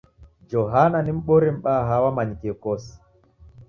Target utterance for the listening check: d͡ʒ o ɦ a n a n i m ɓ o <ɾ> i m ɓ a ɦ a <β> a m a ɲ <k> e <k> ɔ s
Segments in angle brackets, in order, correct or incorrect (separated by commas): correct, incorrect, correct, correct